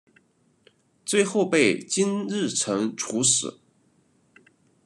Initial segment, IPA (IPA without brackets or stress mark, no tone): t͡s